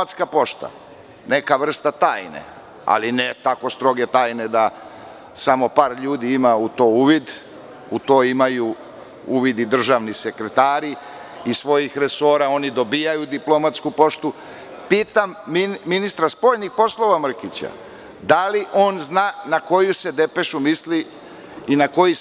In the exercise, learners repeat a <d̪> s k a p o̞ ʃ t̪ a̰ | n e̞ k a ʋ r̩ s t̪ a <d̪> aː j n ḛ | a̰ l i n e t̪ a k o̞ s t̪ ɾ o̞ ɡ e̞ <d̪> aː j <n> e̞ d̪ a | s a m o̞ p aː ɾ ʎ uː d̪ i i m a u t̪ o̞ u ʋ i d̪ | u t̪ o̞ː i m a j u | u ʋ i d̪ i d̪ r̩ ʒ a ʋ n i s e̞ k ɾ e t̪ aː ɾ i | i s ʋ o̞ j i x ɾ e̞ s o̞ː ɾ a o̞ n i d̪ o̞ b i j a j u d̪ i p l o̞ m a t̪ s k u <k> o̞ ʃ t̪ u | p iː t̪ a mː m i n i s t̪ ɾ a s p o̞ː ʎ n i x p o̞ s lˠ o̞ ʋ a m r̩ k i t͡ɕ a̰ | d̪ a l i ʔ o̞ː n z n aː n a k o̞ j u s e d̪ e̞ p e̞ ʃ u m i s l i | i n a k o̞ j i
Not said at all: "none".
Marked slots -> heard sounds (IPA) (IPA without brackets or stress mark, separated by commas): t̪, t̪, t̪, n, p